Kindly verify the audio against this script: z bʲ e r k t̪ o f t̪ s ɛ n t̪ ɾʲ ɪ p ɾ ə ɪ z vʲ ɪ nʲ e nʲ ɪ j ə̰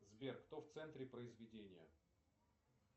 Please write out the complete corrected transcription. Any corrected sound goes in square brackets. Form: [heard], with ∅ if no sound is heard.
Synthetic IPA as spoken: z bʲ e r k t̪ o f t̪ s ɛ n t̪ ɾʲ ɪ p ɾ ə ɪ z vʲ ɪ [dʲ] e nʲ ɪ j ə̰